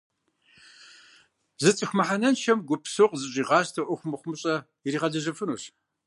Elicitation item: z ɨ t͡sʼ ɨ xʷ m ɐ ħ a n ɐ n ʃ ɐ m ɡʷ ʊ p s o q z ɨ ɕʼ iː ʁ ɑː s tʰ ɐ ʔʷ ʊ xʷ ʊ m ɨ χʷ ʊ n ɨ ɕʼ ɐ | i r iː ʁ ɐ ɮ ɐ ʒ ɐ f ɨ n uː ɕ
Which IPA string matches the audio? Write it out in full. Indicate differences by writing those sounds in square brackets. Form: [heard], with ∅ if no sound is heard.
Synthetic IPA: z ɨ t͡sʼ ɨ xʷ m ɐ ħ a n ɐ n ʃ ɐ m ɡʷ ʊ p s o q z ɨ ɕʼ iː ʁ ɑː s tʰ ɐ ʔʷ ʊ xʷ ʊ m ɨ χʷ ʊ [m] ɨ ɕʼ ɐ | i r iː ʁ ɐ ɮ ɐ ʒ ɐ f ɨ n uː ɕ